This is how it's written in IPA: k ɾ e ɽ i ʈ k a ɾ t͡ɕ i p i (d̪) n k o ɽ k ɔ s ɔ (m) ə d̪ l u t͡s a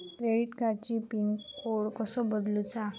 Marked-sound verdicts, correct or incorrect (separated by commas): incorrect, incorrect